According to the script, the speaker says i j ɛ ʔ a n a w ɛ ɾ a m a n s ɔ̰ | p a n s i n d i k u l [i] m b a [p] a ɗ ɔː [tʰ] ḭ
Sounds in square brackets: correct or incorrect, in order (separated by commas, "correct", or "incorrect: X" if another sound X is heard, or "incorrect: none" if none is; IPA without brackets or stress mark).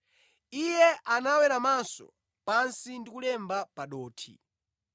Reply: incorrect: ɛ, correct, correct